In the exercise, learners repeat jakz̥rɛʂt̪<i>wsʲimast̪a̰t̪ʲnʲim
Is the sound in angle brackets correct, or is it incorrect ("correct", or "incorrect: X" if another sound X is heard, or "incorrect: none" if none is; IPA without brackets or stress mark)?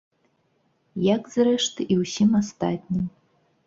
correct